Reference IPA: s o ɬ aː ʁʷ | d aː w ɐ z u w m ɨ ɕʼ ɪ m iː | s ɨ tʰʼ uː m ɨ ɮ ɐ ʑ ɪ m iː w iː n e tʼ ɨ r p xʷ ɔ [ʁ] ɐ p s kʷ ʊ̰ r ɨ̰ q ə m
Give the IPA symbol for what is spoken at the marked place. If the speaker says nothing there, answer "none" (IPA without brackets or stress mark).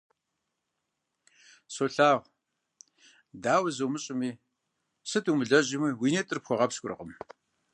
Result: ʁ